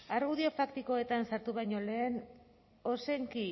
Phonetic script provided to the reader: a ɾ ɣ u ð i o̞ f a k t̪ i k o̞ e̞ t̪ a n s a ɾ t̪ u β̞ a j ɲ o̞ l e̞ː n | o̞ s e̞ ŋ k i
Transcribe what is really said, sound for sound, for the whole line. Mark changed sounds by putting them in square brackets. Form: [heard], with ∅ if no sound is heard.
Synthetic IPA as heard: a ɾ ɣ u ð i o̞ f a k t̪ i k o̞ e̞ t̪ a n s a ɾ t̪ u β̞ a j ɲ o̞ l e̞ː n | o̞ s e̞ ŋ k i

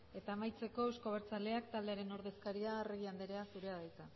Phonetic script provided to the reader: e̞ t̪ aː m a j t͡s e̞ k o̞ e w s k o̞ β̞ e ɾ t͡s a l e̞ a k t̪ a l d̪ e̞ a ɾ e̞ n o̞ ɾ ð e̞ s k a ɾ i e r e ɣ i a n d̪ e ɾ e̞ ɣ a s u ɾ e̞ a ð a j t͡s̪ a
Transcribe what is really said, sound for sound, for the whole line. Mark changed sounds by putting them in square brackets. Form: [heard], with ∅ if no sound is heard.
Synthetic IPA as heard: e̞ t̪ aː m a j t͡s e̞ k o̞ e w s k o̞ β̞ e ɾ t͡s a l e̞ a k t̪ a l d̪ e̞ a ɾ e̞ n o̞ ɾ ð e̞ s k a ɾ i [a] r e ɣ i a n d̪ e ɾ e̞ [∅] a s u ɾ e̞ a ð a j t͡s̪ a

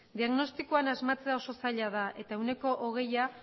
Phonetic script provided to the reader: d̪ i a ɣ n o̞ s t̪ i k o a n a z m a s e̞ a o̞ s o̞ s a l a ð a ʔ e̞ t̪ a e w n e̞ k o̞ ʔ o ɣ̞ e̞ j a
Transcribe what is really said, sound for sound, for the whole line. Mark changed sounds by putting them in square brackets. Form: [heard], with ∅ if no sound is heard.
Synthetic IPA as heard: d̪ i a ɣ n o̞ s t̪ i k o a n a z m a [t͡s] e̞ a o̞ s o̞ s a [ʎ] a ð a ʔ e̞ t̪ a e w n e̞ k o̞ ʔ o ɣ̞ e̞ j a

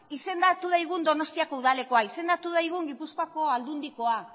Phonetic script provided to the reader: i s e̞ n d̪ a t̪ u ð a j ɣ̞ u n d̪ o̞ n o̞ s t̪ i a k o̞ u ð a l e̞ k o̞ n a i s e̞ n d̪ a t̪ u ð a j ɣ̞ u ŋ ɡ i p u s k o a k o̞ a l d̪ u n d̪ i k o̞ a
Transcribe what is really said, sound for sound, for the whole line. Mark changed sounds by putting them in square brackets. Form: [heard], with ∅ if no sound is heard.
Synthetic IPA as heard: i s e̞ n d̪ a t̪ u ð a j ɣ̞ u n d̪ o̞ n o̞ s t̪ i a k o̞ u ð a l e̞ k o̞ [∅] a i s e̞ n d̪ a t̪ u ð a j ɣ̞ u ŋ ɡ i p u s k o a k o̞ a l d̪ u n d̪ i k o̞ a

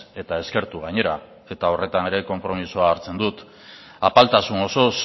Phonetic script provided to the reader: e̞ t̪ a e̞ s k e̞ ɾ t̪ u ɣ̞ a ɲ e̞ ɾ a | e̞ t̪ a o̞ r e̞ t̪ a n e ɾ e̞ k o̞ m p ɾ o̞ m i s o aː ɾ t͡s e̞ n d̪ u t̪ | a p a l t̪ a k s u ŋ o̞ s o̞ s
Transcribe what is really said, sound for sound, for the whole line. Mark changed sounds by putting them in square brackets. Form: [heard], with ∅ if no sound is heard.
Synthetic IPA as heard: e̞ t̪ a e̞ s k e̞ ɾ t̪ u ɣ̞ a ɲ e̞ ɾ a | e̞ t̪ a o̞ r e̞ t̪ a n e ɾ e̞ k o̞ m p ɾ o̞ m i s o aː ɾ t͡s e̞ n d̪ u t̪ | a p a l t̪ a [∅] s u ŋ o̞ s o̞ s

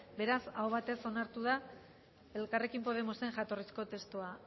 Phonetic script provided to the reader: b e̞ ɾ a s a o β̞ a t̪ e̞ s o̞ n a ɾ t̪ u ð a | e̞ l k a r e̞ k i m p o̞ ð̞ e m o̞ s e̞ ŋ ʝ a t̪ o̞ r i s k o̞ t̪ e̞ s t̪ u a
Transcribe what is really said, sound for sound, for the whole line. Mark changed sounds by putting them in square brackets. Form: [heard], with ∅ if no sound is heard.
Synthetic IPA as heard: b e̞ ɾ a s a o β̞ a t̪ e̞ s o̞ n a ɾ t̪ u ð a | e̞ l k a r e̞ k i m p o̞ ð̞ e m o̞ s e̞ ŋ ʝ a t̪ o̞ r i s k o̞ t̪ e̞ s t̪ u a

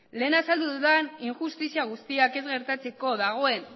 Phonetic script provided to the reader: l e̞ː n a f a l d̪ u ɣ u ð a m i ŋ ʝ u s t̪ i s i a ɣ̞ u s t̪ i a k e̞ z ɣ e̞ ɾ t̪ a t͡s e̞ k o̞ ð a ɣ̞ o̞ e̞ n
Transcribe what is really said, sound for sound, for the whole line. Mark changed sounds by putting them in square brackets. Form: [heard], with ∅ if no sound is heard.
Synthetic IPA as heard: l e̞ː n a [s] a l d̪ u [ð] u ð a [n] i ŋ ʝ u s t̪ i s i a ɣ̞ u s t̪ i a k e̞ z ɣ e̞ ɾ t̪ a t͡s e̞ k o̞ ð a ɣ̞ o̞ e̞ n

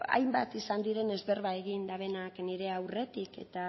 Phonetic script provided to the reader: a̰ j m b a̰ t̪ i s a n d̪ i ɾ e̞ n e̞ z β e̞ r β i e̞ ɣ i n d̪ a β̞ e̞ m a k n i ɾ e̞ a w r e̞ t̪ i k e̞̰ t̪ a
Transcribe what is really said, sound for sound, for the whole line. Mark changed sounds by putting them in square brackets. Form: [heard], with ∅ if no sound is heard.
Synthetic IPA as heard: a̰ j m b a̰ t̪ i s a n d̪ i ɾ e̞ n e̞ z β e̞ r β [a] e̞ ɣ i n d̪ a β̞ e̞ [n] a k n i ɾ e̞ a w r e̞ t̪ i k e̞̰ t̪ a

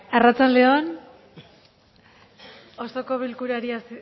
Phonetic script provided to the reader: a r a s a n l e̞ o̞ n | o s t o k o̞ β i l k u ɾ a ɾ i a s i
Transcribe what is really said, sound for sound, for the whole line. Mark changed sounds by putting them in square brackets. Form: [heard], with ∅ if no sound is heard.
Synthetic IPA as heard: a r a [t͡s] a n l e̞ o̞ n | o s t o k o̞ β i l k u ɾ a ɾ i a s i

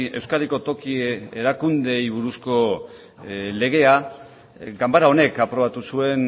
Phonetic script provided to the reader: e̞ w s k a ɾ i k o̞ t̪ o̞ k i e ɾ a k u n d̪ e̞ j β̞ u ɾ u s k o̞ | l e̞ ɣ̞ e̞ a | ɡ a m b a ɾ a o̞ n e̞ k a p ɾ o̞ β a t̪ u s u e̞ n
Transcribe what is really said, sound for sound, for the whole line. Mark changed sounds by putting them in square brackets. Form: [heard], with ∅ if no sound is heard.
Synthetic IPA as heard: e̞ w s k a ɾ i k o̞ t̪ o̞ k i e ɾ a k u n d̪ e̞ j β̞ u ɾ u s k o̞ | l e̞ ɣ̞ e̞ a | ɡ a m b a ɾ a o̞ n e̞ k a p ɾ o̞ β a t̪ u s u e̞ n

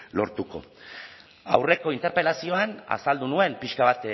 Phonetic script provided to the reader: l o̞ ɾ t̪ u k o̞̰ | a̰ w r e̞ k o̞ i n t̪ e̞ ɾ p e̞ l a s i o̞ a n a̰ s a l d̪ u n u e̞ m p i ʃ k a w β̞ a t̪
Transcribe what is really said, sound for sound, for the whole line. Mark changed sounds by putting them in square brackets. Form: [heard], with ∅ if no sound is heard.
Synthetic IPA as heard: l o̞ ɾ t̪ u k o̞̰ | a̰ w r e̞ k o̞ i n t̪ e̞ ɾ p e̞ l a s i o̞ a n a̰ s a l d̪ u n u e̞ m p i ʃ k a [∅] β̞ a t̪

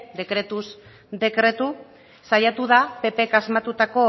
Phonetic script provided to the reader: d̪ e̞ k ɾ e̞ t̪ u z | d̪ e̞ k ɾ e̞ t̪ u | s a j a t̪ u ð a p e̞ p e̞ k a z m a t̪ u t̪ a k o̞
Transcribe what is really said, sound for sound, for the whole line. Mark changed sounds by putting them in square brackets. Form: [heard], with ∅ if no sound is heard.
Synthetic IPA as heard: d̪ e̞ k ɾ e̞ t̪ u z | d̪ e̞ k ɾ e̞ t̪ u | s a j a t̪ u ð a p e̞ p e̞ k a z m a t̪ u t̪ a k o̞

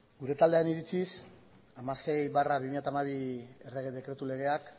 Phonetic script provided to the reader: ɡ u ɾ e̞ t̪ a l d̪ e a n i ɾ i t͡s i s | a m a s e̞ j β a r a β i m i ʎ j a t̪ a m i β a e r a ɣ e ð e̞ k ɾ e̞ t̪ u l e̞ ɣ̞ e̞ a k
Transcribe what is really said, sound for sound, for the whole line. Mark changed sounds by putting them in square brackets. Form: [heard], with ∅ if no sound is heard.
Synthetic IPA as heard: ɡ u ɾ e̞ t̪ a l d̪ e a n i ɾ i t͡s i s | a m a s e̞ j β a r a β i m i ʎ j a t̪ a m [a] β [i] e r [e] ɣ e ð e̞ k ɾ e̞ t̪ u l e̞ ɣ̞ e̞ a k

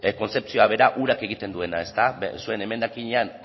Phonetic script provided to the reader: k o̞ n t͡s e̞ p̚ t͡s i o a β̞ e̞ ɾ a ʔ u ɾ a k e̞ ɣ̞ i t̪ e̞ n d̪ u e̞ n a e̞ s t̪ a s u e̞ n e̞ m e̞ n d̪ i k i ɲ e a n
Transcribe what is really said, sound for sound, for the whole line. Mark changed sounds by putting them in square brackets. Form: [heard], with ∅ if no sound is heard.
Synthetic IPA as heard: k o̞ n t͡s e̞ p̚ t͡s i o a β̞ e̞ ɾ a ʔ u ɾ a k e̞ ɣ̞ i t̪ e̞ n d̪ u e̞ n a e̞ s t̪ a s u e̞ n e̞ m e̞ n d̪ [a] k i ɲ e a n

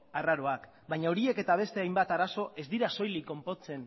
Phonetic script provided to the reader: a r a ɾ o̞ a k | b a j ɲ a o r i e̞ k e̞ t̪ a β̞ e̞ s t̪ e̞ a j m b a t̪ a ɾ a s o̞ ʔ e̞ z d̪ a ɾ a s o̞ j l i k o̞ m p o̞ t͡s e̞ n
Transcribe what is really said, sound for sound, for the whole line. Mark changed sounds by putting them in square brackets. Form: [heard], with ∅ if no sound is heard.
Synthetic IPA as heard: a r a ɾ o̞ a k | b a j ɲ a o [ɾ] i e̞ k e̞ t̪ a β̞ e̞ s t̪ e̞ a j m b a t̪ a ɾ a s o̞ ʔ e̞ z d̪ [i] ɾ a s o̞ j l i k o̞ m p o̞ t͡s e̞ n

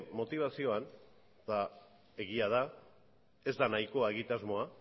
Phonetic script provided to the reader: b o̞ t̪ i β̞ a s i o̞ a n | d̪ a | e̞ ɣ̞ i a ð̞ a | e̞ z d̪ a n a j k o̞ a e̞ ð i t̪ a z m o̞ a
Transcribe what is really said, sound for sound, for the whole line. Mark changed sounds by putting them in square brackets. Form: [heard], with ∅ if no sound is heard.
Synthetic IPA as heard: [m] o̞ t̪ i β̞ a s i o̞ a n | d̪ a | e̞ ɣ̞ i a ð̞ a | e̞ z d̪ a n a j k o̞ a e̞ [ɣ] i t̪ a z m o̞ a

